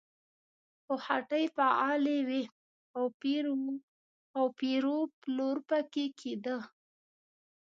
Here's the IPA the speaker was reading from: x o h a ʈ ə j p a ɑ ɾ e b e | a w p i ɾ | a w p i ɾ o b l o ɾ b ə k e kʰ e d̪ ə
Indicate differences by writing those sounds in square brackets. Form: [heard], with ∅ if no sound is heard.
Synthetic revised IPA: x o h a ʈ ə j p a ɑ [l] e [w] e | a w p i ɾ | a w p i ɾ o [p] l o ɾ [p] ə k e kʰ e d̪ ə